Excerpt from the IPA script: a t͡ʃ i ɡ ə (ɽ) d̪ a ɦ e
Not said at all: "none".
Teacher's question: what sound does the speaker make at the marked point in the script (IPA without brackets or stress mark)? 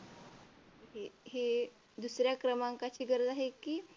ɾ